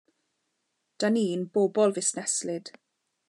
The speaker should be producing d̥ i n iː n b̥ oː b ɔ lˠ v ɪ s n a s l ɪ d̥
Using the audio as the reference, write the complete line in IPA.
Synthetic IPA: d̥ a n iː n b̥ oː b ɔ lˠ v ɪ s n ɛ s l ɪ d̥